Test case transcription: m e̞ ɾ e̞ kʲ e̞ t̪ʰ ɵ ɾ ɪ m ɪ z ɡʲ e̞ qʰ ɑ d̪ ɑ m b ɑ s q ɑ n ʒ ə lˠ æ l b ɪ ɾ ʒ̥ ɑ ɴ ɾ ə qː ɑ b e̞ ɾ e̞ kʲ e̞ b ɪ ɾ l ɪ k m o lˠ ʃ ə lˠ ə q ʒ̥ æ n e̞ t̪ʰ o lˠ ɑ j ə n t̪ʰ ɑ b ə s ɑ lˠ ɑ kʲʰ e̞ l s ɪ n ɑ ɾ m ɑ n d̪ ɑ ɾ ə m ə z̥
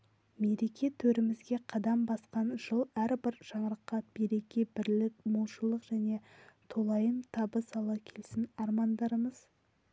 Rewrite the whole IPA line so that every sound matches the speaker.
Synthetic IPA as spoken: m e̞ ɾ e̞ kʲ e̞ t̪ʰ ɵ ɾ ɪ m ɪ z ɡʲ e̞ qʰ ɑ d̪ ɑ m b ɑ s q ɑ n ʒ ə lˠ æ ɾ b ɪ ɾ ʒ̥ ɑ ɴ ɾ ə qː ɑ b e̞ ɾ e̞ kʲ e̞ b ɪ ɾ l ɪ k m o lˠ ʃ ə lˠ ə q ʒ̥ æ n e̞ t̪ʰ o lˠ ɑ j ə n t̪ʰ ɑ b ə s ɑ lˠ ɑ kʲʰ e̞ l s ɪ n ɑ ɾ m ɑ n d̪ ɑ ɾ ə m ə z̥